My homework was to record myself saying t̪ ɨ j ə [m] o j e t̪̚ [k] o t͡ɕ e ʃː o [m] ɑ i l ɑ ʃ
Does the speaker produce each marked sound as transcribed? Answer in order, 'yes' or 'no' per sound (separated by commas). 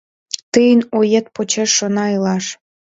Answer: no, no, no